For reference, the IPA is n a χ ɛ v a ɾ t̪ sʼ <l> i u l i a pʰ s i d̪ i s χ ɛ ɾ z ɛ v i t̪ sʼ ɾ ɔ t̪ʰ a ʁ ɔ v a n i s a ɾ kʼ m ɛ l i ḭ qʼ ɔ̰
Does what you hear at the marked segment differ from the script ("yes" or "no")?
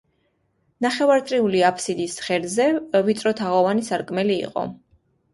yes